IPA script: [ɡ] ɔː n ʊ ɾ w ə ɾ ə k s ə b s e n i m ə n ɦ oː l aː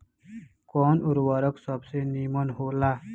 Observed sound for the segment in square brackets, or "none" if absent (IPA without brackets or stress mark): k